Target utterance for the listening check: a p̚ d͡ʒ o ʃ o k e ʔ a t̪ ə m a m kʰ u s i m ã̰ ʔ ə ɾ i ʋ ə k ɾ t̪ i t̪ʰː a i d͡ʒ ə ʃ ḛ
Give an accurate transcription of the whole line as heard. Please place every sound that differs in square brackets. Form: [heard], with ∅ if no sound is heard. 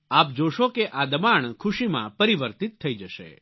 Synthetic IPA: a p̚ d͡ʒ o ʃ o k e ʔ a [d̪] ə m a [ɳ] kʰ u [ʃ] i m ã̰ [p] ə ɾ i ʋ ə [∅] ɾ t̪ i t̪ʰː [ə] i d͡ʒ ə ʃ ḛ